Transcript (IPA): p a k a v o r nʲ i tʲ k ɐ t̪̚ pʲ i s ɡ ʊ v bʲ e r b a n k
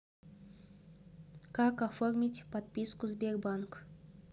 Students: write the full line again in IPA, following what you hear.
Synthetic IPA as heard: k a k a f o r mʲ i tʲ p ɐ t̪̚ pʲ i s k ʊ z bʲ e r b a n k

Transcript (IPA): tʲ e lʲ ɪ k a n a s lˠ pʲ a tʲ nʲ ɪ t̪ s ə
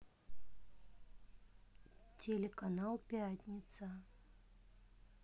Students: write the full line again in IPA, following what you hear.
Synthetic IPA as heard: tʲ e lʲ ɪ k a n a lˠ pʲ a tʲ nʲ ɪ t̪ s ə

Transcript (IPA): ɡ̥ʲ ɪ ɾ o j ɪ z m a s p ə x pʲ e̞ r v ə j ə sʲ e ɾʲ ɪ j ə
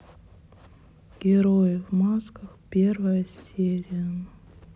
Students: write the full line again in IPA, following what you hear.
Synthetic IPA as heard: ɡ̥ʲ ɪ ɾ o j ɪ v m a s k ə x pʲ e̞ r v ə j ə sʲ e ɾʲ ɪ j ə

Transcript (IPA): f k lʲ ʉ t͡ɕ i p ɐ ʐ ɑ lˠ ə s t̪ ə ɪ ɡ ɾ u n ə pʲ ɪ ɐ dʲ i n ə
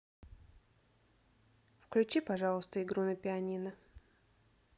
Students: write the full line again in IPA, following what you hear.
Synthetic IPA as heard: f k lʲ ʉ t͡ɕ i p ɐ ʐ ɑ lˠ ə s t̪ ə ɪ ɡ ɾ u n ə pʲ ɪ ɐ nʲ i n ə

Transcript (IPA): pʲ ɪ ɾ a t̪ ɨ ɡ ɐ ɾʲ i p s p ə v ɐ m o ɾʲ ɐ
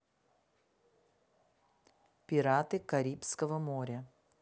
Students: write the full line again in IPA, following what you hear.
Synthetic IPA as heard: pʲ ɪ ɾ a t̪ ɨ k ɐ ɾʲ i p s k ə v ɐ m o ɾʲ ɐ

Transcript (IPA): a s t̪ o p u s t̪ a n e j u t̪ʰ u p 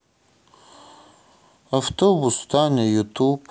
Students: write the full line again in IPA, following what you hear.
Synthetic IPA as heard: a f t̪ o b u s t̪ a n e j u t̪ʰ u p

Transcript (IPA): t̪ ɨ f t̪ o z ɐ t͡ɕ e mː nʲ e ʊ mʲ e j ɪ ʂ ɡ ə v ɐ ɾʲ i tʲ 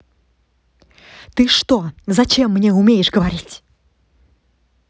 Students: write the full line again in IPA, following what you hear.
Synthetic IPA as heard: t̪ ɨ ʂ t̪ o z ɐ t͡ɕ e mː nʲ e ʊ mʲ e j ɪ ʂ ɡ ə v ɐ ɾʲ i tʲ

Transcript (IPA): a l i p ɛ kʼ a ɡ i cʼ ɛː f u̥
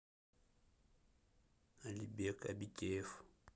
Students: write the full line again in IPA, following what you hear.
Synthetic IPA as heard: a l i b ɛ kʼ a b i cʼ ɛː f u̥

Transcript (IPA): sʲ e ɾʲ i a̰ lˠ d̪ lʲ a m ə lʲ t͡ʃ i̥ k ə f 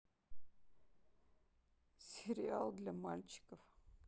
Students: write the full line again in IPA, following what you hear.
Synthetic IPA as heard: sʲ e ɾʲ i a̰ lˠ d̪ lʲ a m a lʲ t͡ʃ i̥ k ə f

